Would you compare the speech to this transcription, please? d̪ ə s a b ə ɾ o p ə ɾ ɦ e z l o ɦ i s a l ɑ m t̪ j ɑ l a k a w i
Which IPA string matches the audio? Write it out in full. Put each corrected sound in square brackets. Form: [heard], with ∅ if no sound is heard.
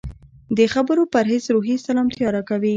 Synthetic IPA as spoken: d̪ ə [x] a b ə ɾ o p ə ɾ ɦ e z [ɾ] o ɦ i s a l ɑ m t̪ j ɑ [ɾ] a k a w i